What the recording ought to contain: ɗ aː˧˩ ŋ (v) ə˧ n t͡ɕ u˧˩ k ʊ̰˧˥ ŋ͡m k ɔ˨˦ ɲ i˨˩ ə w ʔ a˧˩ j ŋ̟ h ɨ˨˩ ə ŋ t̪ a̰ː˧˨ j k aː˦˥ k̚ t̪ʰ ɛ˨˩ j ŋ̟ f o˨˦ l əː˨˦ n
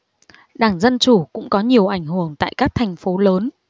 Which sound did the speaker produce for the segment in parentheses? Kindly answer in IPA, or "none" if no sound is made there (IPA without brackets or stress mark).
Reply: z